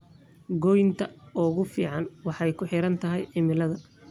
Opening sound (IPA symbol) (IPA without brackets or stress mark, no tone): ɡ